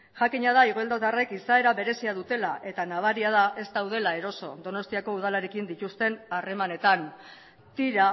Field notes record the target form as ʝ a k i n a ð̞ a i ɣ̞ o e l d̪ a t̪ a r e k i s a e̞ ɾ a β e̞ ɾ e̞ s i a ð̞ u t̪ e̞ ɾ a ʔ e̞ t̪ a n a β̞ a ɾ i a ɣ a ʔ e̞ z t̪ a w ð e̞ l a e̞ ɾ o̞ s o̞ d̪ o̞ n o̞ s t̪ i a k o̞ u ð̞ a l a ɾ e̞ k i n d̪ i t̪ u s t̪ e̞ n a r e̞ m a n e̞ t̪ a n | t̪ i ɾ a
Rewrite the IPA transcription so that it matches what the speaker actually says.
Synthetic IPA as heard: ʝ a k i ɲ a ð̞ a i ɣ̞ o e l d̪ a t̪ a r e k i s a e̞ ɾ a β e̞ ɾ e̞ s i a ð̞ u t̪ e̞ l a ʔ e̞ t̪ a n a β̞ a ɾ i a ð a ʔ e̞ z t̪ a w ð e̞ l a e̞ ɾ o̞ s o̞ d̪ o̞ n o̞ s t̪ i a k o̞ u ð̞ a l a ɾ e̞ k i n d̪ i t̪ u s t̪ e̞ n a r e̞ m a n e̞ t̪ a n | t̪ i ɾ a

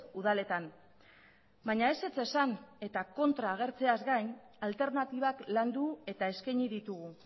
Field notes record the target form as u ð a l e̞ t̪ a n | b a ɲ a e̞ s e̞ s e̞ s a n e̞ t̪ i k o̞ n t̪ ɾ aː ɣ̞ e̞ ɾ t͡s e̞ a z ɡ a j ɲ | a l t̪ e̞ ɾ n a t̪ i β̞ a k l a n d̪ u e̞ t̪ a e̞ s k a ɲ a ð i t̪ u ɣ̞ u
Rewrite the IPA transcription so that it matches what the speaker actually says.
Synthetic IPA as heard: u ð a l e̞ t̪ a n | b a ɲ a e̞ s e̞ t͡s e̞ s a n e̞ t̪ a k o̞ n t̪ ɾ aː ɣ̞ e̞ ɾ t͡s e̞ a z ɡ a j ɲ | a l t̪ e̞ ɾ n a t̪ i β̞ a k l a n d̪ u e̞ t̪ a e̞ s k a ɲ i ð i t̪ u ɣ̞ u

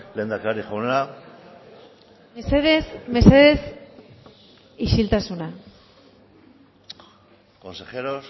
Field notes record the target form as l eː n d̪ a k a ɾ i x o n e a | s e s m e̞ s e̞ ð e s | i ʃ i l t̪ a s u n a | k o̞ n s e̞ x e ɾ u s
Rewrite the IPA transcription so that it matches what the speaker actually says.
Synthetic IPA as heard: l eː n d̪ a k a ɾ i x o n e a | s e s m e̞ s e̞ ð e s | i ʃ i l t̪ a s u n a | k o̞ n s e̞ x e ɾ o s

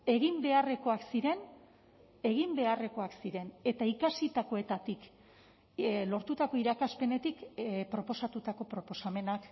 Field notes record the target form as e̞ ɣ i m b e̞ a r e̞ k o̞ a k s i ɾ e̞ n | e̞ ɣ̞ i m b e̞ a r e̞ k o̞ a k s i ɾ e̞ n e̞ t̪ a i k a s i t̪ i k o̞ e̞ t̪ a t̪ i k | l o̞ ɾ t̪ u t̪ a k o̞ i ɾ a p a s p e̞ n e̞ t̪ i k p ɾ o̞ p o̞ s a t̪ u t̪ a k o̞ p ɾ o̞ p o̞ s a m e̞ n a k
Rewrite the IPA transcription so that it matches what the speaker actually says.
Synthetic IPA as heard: e̞ ɣ i m b e̞ a r e̞ k o̞ a k s i ɾ e̞ n | e̞ ɣ̞ i m b e̞ a r e̞ k o̞ a k s i ɾ e̞ n e̞ t̪ a i k a s i t̪ a k o̞ e̞ t̪ a t̪ i k | l o̞ ɾ t̪ u t̪ a k o̞ i ɾ a k a s p e̞ n e̞ t̪ i k p ɾ o̞ p o̞ s a t̪ u t̪ a k o̞ p ɾ o̞ p o̞ s a m e̞ n a k

